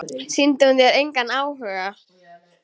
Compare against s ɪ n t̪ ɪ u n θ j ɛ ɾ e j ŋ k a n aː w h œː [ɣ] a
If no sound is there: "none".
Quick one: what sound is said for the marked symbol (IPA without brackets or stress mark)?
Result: ɣ